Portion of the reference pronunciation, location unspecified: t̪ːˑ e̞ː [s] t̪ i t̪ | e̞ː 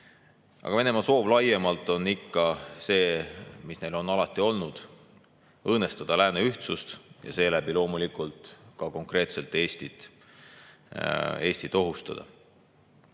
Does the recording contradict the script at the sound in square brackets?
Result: no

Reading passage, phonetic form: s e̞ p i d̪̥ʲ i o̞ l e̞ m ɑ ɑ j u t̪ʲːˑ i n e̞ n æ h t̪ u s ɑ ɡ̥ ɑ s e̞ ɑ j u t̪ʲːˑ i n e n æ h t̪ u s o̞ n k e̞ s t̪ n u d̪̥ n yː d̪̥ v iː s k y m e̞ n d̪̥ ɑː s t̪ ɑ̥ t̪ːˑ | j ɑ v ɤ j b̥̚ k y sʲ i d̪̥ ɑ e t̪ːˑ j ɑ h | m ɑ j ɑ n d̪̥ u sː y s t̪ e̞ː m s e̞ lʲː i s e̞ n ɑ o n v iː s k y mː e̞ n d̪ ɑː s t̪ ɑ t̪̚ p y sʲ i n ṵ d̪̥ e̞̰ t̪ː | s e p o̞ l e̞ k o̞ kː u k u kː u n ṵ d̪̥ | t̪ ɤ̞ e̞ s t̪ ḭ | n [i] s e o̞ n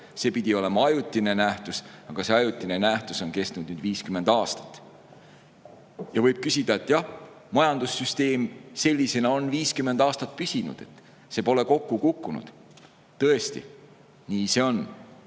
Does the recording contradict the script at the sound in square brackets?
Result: yes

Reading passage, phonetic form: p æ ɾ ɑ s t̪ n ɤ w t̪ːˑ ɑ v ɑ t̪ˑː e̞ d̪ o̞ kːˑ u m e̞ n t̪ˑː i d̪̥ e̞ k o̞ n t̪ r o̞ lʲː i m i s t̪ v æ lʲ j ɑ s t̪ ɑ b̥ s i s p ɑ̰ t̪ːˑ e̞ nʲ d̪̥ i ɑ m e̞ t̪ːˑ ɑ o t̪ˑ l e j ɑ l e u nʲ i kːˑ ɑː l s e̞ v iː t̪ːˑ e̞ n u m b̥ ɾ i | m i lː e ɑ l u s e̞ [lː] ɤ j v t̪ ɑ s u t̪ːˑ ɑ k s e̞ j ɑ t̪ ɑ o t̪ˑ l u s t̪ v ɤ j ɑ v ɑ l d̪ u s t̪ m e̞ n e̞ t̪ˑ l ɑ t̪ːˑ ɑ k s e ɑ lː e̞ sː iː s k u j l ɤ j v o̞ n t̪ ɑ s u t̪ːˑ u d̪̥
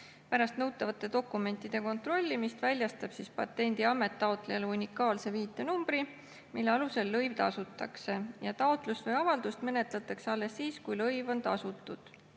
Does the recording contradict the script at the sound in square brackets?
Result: no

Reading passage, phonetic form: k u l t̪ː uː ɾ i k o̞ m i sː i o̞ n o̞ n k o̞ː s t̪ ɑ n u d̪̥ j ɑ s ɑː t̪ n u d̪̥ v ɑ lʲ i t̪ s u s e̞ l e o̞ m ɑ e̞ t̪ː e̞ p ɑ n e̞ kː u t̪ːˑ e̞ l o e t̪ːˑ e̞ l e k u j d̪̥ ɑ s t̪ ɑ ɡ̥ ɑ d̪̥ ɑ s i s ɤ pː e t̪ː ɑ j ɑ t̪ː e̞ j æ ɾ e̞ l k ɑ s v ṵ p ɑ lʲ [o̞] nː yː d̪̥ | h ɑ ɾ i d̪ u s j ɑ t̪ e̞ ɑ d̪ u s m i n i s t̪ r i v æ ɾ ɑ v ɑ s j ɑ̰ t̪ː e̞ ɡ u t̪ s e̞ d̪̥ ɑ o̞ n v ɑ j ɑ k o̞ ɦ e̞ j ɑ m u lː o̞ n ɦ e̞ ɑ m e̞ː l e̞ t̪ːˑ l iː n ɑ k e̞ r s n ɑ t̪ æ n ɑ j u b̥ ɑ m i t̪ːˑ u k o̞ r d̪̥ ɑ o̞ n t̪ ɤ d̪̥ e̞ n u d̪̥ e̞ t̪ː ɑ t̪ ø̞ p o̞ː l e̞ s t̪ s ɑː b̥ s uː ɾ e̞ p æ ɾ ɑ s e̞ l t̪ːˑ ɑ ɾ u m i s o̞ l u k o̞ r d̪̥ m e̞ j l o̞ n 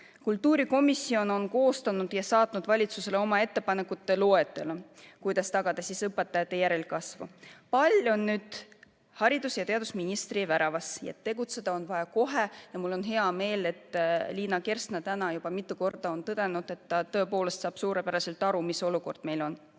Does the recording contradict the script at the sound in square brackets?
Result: no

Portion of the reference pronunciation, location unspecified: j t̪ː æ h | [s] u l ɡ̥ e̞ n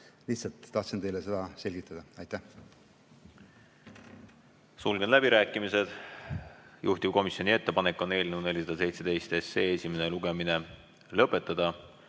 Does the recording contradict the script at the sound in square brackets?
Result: no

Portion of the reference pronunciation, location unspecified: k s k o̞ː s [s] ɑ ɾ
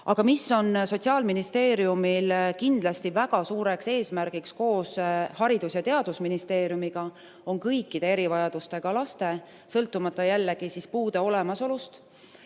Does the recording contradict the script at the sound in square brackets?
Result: yes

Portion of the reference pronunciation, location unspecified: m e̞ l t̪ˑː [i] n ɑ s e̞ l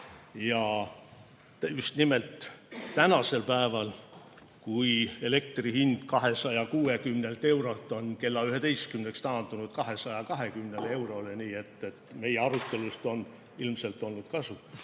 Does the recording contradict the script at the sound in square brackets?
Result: yes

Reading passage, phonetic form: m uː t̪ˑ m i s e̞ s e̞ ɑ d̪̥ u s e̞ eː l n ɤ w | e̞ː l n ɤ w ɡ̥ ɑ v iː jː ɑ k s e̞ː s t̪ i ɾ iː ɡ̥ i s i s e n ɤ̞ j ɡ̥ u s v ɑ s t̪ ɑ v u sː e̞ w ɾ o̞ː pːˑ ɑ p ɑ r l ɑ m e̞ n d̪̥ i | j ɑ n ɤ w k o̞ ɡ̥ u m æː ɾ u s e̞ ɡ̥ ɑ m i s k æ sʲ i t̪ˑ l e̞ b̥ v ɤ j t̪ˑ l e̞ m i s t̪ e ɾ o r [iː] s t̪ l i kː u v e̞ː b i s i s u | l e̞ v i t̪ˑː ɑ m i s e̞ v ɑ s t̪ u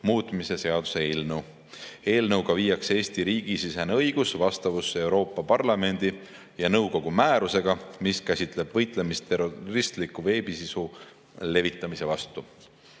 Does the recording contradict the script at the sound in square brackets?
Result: yes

